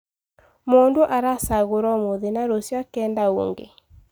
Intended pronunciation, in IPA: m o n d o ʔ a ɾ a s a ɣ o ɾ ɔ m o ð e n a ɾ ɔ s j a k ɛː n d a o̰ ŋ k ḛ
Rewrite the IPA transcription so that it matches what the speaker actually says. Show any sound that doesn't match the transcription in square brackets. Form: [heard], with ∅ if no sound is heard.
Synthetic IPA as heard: m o n d o ʔ a ɾ a s a ɣ o ɾ ɔ m o ð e n a ɾ [o] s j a k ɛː n d a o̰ ŋ [ɡ] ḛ